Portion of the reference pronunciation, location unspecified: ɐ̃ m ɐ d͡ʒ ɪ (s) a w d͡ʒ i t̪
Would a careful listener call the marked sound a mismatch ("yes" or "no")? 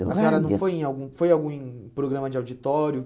yes